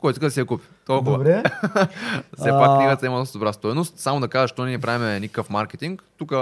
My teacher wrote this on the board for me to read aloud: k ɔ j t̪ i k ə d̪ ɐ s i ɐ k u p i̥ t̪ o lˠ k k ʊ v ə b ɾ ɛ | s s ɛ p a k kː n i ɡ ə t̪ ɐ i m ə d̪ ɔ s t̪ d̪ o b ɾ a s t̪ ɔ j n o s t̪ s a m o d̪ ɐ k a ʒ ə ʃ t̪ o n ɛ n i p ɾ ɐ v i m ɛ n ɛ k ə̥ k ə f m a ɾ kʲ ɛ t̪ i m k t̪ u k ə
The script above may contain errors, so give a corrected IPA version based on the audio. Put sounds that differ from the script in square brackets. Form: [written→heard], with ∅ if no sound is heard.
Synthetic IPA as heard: k ɔ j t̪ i k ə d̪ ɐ s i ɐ k u p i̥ t̪ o lˠ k k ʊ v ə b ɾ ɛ | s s ɛ p a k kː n i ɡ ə t̪ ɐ i m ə d̪ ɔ s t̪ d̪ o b ɾ a s t̪ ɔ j n o s t̪ s a m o d̪ ɐ k a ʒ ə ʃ t̪ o n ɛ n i p ɾ [ɐ→a] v i m ɛ n [ɛ→i] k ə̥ k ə f m a ɾ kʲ ɛ t̪ i [m→ŋ] k t̪ u k ə